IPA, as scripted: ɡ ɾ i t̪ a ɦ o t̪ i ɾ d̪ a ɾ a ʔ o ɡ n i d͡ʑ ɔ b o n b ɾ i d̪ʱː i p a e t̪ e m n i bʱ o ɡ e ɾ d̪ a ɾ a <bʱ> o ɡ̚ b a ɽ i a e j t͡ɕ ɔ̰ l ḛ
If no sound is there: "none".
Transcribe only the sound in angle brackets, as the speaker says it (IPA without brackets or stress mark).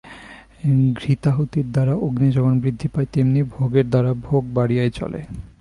bʱ